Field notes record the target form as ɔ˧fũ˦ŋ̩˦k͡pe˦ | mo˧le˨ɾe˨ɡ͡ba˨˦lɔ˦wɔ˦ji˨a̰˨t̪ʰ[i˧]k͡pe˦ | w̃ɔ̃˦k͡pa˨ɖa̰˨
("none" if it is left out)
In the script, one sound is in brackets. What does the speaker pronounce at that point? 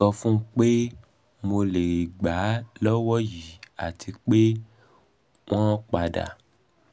i˧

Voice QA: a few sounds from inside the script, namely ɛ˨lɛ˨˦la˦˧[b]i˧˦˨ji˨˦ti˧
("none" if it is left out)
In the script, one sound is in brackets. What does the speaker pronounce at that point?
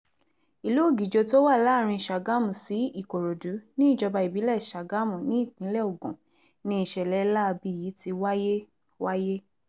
b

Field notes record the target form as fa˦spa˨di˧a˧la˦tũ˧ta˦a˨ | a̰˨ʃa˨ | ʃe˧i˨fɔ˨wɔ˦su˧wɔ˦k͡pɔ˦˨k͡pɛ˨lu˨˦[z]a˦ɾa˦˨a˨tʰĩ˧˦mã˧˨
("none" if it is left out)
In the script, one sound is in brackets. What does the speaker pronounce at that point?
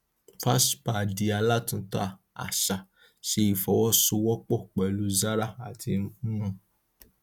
z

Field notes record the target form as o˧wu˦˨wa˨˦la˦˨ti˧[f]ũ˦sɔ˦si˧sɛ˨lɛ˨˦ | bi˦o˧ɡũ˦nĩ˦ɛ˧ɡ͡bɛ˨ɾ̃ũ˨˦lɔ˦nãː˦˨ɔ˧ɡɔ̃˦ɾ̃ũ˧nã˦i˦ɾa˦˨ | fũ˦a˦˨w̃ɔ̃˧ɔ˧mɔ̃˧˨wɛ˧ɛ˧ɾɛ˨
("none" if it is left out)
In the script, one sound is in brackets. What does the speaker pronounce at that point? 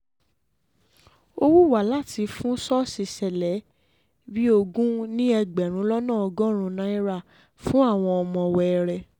f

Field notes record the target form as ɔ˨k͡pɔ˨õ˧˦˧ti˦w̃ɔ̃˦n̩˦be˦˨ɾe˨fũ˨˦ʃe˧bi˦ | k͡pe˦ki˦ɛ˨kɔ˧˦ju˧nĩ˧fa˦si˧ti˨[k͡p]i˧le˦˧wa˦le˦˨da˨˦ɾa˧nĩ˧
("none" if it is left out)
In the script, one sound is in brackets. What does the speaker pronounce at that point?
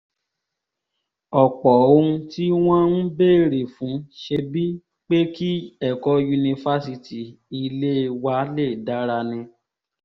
none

